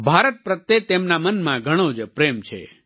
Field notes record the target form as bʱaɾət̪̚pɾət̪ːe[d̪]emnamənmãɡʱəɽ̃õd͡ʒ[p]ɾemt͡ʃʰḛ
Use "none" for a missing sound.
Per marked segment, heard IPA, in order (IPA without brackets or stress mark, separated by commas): t̪, p